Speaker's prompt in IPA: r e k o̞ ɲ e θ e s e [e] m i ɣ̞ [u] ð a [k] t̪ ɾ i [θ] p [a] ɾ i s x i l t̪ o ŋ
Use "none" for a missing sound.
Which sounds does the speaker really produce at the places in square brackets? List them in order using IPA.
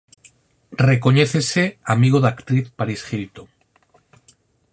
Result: a, o, k, θ, a

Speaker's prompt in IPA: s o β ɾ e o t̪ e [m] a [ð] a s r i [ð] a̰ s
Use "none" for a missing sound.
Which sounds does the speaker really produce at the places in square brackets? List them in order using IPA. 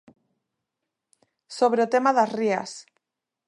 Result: m, ð, none

